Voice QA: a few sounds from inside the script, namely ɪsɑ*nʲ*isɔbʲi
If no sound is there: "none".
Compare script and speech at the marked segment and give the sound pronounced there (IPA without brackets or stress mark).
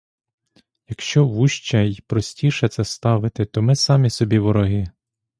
mʲ